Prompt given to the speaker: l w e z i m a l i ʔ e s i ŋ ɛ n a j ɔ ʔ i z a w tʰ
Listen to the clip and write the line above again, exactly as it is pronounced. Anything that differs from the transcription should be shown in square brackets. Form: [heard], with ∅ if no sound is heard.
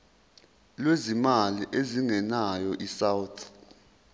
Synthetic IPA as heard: l w e z i m a l i ʔ e [z] i ŋ ɛ n a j ɔ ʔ i [s] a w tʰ